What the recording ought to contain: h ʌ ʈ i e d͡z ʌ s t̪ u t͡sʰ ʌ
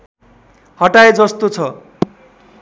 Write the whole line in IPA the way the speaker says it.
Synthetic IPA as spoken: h ʌ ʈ a e d͡z ʌ s t̪ o t͡sʰ ʌ